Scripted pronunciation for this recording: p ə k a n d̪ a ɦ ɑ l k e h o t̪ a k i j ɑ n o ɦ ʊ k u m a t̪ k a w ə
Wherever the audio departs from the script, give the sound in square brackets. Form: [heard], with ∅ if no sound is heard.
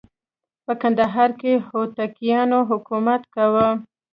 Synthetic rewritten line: p ə k a n d̪ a ɦ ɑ [ɾ] k e h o t̪ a k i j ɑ n o ɦ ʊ k u m a t̪ k a w ə